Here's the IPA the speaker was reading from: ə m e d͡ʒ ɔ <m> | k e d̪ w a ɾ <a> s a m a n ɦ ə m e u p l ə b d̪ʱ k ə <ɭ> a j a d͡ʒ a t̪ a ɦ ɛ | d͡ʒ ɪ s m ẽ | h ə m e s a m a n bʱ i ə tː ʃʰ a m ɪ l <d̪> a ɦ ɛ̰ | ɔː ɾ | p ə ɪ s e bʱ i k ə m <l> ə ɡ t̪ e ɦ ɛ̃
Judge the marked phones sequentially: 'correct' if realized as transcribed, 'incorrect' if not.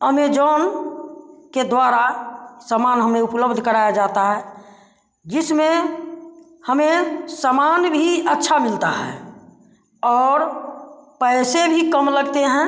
incorrect, correct, incorrect, incorrect, correct

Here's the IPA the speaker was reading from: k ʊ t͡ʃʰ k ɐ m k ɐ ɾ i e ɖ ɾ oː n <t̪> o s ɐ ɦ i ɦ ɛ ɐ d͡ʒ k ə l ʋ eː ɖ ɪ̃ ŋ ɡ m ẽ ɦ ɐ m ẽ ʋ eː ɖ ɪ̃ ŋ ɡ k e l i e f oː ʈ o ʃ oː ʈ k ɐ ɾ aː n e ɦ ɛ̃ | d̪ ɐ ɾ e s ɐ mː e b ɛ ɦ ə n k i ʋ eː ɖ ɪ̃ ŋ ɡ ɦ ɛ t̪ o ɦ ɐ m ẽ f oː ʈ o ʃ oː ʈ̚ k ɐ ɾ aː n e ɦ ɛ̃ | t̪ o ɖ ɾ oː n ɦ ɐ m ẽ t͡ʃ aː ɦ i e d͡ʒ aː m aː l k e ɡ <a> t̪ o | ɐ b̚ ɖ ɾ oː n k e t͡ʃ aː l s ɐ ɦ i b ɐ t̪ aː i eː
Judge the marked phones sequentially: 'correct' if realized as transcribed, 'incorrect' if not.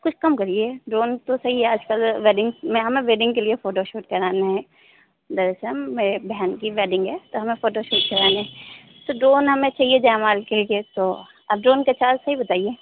correct, incorrect

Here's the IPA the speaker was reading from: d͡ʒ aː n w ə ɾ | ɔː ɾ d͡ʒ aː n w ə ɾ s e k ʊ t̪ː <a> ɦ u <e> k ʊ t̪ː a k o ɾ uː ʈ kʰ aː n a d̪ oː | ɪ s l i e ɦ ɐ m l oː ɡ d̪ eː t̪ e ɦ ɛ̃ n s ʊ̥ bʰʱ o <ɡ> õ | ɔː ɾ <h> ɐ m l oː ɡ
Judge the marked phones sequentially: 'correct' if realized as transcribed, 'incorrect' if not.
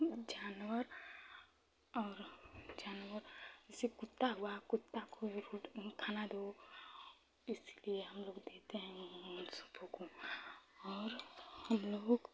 correct, incorrect, incorrect, correct

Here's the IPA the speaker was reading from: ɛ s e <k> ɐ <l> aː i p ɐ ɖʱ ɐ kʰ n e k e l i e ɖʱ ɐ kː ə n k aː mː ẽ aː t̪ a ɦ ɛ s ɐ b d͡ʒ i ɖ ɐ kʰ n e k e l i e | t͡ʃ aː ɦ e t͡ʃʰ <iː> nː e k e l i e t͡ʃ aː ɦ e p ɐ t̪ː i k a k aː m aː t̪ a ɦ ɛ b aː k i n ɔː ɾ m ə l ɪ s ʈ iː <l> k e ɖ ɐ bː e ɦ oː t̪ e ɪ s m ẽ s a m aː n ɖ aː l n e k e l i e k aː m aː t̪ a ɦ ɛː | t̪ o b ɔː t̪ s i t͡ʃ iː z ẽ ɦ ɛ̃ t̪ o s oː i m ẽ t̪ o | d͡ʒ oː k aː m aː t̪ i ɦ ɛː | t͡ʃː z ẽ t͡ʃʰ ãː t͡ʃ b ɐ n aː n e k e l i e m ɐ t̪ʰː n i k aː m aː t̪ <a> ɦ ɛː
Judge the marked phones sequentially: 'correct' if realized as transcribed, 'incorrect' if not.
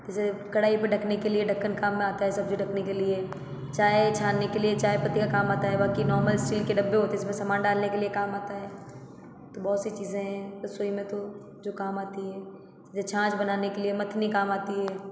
correct, incorrect, incorrect, correct, incorrect

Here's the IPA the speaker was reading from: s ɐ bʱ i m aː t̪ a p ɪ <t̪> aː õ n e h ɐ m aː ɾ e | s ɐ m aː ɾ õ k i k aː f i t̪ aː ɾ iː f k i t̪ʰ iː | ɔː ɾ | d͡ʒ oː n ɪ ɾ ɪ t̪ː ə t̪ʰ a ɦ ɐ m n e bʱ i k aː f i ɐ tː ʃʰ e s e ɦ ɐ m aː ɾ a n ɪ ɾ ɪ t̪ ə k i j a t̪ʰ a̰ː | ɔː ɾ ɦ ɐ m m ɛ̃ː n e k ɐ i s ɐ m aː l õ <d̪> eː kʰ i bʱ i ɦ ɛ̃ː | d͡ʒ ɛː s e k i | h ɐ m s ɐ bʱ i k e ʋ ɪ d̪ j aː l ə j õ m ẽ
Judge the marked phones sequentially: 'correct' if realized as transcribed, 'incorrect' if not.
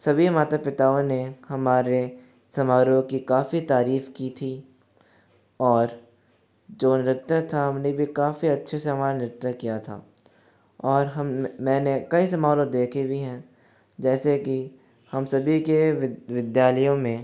correct, correct

